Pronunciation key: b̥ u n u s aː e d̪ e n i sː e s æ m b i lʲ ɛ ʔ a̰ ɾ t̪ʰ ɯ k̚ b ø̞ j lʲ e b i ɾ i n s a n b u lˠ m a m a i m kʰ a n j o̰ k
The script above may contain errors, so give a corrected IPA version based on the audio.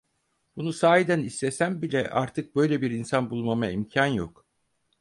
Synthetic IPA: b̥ u n u s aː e d̪ æ n i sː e s æ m b i lʲ ɛ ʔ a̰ ɾ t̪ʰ ɯ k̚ b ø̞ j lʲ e b i ɾ i n s a n b u lˠ m a m a i m cʰ a n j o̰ k